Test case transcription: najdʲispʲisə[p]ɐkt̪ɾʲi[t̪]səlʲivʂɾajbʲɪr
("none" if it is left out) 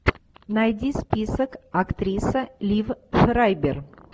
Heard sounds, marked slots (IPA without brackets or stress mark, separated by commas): k, none